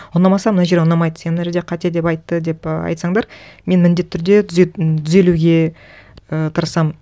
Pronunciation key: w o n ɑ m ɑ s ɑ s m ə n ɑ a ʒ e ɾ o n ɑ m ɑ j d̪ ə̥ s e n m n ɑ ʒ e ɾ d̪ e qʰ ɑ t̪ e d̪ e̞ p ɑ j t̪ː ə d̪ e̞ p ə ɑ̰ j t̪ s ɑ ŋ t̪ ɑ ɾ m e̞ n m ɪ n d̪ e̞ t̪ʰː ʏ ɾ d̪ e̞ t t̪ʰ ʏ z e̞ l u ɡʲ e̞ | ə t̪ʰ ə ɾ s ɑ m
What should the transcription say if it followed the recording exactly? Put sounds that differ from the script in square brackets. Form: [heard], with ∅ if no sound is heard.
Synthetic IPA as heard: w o n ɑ m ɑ s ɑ [∅] m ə n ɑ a ʒ e ɾ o n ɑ m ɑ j d̪ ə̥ s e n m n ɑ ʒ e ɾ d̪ e qʰ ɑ t̪ e d̪ e̞ p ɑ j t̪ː ə d̪ e̞ p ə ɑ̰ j t̪ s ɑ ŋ [d̪] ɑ ɾ m e̞ n m ɪ n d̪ e̞ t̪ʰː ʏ ɾ d̪ e̞ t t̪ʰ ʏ z e̞ l u ɡʲ e̞ | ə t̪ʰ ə ɾ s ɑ m